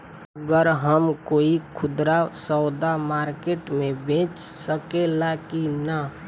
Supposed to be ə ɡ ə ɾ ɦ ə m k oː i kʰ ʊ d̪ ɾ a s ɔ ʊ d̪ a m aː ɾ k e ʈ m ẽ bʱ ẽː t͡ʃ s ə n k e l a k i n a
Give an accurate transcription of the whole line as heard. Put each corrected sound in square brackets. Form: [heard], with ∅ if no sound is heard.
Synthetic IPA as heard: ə ɡ ə ɾ ɦ ə m k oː i kʰ ʊ d̪ ɾ a s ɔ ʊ d̪ a m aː ɾ k e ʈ m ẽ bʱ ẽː t͡ʃ s ə [∅] k e l a k i n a